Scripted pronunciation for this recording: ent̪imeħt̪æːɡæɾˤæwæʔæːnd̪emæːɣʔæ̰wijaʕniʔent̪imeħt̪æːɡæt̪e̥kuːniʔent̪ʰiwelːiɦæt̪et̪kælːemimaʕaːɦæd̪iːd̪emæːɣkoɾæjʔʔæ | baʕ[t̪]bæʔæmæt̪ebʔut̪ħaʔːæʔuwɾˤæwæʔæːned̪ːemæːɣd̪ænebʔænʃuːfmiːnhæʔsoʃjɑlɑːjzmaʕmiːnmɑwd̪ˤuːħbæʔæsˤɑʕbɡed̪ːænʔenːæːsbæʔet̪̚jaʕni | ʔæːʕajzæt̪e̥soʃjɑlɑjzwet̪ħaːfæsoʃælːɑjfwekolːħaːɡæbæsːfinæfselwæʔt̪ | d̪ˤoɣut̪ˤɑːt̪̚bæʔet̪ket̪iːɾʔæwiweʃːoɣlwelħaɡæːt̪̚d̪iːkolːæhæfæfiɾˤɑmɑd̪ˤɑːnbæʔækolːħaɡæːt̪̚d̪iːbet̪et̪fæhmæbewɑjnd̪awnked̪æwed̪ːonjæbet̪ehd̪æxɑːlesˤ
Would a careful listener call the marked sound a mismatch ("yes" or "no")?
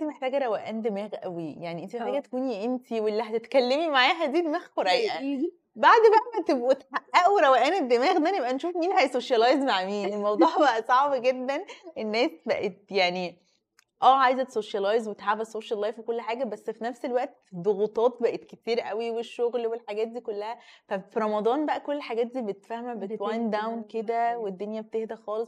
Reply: yes